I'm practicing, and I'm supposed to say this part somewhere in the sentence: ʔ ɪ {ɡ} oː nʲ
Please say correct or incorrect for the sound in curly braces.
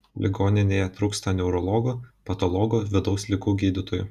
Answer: correct